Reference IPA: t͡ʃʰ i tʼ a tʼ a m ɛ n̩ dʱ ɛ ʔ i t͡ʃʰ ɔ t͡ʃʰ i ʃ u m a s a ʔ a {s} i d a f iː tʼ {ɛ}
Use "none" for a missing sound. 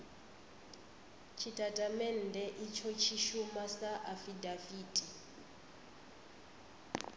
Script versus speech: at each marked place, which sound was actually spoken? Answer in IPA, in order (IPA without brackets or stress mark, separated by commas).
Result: f, i